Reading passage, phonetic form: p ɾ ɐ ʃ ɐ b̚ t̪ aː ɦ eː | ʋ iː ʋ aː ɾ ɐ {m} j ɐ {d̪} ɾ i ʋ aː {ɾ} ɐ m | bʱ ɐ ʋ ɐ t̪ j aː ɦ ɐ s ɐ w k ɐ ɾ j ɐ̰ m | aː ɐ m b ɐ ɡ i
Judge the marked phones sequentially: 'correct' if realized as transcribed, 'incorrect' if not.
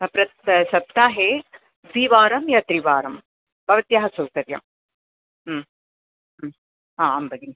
correct, incorrect, correct

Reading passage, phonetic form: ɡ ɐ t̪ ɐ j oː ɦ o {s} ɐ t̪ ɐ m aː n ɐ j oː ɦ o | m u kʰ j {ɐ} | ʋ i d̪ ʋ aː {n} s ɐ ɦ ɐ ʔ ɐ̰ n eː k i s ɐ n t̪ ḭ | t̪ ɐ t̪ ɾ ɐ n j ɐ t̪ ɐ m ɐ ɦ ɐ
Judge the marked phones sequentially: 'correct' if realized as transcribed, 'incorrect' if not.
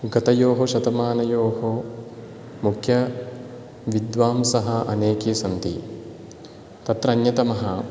incorrect, correct, incorrect

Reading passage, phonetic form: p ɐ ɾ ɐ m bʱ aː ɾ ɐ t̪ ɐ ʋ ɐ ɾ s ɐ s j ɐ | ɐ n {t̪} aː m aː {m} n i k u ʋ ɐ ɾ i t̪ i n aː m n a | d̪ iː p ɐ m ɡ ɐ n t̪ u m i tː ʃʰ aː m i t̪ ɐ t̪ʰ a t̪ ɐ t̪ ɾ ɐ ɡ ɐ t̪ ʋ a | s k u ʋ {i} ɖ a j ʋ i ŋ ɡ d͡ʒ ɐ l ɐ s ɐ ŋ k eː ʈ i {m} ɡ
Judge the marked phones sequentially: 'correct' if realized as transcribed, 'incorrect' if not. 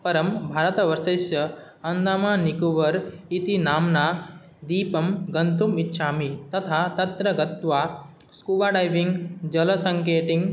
incorrect, incorrect, incorrect, incorrect

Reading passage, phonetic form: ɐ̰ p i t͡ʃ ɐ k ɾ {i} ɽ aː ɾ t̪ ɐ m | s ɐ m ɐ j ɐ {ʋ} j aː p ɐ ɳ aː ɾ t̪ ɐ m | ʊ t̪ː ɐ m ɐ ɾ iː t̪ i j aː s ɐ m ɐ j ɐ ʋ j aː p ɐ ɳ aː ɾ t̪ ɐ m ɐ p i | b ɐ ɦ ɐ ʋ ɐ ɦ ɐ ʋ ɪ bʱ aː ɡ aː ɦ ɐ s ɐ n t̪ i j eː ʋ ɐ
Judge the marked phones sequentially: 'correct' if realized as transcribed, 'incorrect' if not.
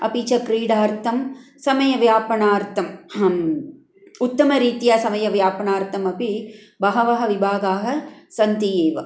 incorrect, correct

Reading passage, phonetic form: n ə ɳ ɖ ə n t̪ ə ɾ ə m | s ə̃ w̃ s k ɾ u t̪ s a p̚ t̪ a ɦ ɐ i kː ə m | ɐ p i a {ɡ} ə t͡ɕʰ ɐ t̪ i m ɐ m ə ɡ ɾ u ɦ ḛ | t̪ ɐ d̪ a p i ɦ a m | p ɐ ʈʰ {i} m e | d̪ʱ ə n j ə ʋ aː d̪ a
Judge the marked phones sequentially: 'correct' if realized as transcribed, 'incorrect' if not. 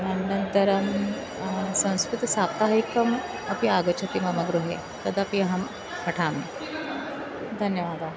correct, incorrect

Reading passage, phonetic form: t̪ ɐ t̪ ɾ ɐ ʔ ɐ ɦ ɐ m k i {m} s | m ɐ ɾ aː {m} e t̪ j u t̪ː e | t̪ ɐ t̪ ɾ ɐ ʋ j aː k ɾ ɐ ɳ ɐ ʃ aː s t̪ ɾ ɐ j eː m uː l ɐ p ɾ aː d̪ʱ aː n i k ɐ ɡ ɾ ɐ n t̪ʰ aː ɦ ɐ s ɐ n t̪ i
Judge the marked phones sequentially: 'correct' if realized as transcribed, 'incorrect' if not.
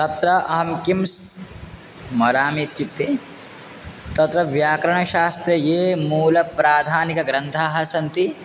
correct, correct

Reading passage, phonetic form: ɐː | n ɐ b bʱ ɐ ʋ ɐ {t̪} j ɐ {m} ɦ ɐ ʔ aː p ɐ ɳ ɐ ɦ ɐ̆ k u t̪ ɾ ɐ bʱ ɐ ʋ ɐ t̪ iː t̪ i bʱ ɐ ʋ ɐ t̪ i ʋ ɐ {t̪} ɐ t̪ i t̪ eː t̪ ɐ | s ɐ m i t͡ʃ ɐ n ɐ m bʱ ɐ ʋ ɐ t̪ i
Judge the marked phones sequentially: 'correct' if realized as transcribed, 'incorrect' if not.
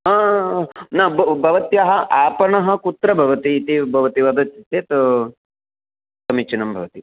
correct, incorrect, incorrect

